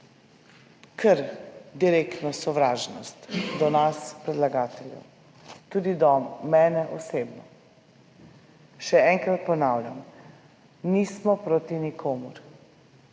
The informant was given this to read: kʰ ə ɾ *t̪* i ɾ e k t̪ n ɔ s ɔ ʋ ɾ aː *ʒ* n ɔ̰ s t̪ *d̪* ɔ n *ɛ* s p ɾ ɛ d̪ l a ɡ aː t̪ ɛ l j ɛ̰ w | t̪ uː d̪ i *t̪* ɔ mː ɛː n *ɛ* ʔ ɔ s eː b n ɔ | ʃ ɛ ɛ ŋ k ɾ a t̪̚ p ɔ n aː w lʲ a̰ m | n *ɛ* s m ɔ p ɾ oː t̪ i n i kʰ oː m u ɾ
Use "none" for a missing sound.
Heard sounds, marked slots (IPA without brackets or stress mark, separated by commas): d̪, ʒ, d̪, a, d̪, ɛ, i